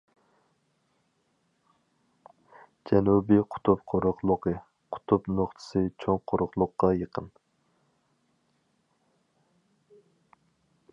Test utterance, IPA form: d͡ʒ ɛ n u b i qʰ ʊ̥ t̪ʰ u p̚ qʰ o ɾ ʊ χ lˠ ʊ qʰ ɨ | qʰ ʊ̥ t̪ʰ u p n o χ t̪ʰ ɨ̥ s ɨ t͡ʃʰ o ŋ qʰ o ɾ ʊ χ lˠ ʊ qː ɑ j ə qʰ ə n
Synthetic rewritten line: d͡ʒ ɛ n u b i qʰ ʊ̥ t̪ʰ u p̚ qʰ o ɾ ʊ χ lˠ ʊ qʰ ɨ | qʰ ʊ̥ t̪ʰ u p n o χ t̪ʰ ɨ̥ s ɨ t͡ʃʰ o ŋ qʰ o ɾ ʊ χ lˠ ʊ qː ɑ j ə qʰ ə n